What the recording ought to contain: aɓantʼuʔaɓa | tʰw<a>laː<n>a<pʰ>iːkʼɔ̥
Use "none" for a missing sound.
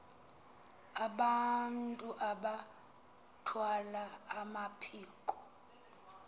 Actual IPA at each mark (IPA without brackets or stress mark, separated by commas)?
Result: a, m, pʰ